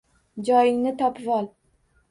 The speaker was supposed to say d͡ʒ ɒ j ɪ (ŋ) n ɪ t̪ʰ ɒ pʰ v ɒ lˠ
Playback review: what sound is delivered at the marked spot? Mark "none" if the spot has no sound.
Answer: ŋ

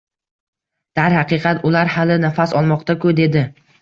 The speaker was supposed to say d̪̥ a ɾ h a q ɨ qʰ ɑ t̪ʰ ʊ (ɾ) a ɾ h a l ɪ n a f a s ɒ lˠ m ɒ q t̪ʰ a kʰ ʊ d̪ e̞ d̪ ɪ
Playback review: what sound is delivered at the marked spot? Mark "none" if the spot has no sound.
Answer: l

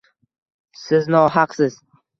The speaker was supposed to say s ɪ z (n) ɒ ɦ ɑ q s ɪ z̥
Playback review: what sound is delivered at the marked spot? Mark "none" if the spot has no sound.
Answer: n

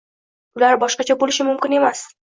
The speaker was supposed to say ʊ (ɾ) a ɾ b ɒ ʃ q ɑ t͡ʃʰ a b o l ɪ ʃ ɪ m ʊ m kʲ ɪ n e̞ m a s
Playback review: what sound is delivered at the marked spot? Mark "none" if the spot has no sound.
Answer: l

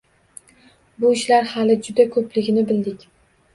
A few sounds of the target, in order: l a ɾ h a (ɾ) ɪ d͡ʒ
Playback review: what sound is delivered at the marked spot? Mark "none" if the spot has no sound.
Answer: l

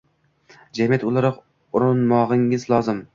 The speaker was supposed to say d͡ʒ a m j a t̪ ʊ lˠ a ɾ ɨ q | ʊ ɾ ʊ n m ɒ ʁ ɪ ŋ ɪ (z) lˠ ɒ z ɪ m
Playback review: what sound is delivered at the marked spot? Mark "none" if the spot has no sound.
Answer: z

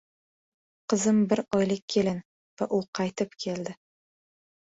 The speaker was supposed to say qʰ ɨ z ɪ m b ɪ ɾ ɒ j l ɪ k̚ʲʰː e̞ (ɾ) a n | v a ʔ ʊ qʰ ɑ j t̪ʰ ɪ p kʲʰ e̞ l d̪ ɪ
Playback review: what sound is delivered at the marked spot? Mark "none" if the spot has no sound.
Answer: l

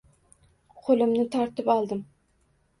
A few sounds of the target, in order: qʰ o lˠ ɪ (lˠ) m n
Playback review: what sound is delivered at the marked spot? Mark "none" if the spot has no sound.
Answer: none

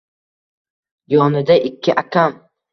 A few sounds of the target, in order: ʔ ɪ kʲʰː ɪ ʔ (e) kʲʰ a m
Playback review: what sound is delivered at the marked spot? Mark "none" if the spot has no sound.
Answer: a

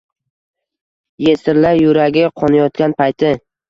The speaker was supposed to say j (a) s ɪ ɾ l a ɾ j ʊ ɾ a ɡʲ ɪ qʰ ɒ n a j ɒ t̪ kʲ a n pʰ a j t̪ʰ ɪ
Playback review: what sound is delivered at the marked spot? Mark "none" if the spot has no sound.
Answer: e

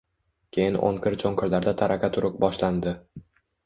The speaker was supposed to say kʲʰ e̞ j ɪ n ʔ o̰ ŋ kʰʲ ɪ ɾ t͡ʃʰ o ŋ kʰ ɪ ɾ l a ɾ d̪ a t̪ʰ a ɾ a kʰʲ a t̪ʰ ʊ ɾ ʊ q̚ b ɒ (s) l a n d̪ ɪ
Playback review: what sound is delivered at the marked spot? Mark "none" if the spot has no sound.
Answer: ʃ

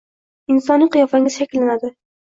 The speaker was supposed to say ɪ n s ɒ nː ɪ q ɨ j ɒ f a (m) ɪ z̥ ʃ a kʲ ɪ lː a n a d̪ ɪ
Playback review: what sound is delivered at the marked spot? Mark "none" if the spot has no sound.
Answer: ŋ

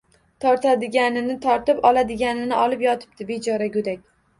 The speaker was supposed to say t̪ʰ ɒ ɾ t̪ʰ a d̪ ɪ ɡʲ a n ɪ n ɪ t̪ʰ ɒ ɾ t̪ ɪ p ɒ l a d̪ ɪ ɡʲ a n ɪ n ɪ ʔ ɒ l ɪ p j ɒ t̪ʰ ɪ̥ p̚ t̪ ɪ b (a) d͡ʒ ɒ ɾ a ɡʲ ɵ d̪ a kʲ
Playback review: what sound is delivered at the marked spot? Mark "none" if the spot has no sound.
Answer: e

